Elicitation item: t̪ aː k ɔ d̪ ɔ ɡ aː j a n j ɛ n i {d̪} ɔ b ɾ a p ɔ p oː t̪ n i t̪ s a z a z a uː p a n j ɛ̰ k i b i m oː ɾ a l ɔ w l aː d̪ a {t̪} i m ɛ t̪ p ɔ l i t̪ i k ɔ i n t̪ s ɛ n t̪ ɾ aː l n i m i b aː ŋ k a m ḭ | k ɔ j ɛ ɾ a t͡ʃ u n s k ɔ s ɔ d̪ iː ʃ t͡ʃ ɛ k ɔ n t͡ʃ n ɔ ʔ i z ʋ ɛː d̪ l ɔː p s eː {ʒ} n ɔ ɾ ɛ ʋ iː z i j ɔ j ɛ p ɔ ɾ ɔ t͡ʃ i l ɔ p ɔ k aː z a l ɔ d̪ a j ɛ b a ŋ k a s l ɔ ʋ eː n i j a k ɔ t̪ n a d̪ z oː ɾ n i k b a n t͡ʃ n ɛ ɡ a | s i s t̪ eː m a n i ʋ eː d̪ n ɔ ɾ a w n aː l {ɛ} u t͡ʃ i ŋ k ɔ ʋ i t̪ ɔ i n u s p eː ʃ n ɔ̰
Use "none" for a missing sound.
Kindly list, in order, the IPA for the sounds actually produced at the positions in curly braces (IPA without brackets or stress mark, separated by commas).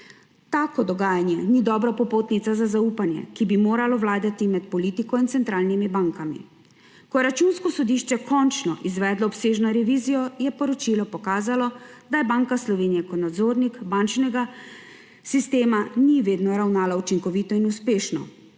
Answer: d̪, t̪, ʒ, a